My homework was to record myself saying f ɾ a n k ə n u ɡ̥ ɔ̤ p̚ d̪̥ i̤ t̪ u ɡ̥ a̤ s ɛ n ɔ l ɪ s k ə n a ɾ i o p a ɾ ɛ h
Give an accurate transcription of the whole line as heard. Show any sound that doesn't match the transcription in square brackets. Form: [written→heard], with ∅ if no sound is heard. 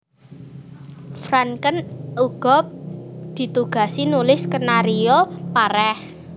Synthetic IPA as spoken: f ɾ a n k ə n u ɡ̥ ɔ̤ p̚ d̪̥ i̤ t̪ u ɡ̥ a̤ s [ɛ→i] n [ɔ→u] l ɪ s k ə n a ɾ i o p a ɾ ɛ h